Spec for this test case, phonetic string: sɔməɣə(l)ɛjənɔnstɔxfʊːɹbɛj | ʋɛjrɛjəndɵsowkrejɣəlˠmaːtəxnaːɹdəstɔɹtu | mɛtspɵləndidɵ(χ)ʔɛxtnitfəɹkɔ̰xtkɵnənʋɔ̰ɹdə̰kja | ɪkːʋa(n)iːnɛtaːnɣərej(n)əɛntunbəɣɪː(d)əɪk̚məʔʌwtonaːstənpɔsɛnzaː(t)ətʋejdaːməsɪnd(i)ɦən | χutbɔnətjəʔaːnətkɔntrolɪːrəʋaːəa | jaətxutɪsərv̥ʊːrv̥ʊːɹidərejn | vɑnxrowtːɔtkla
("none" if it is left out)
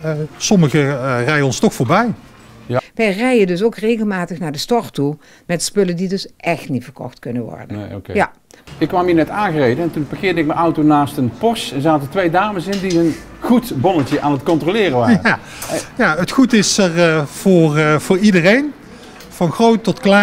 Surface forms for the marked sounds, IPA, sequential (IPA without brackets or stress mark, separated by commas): r, s, m, d, d, t, i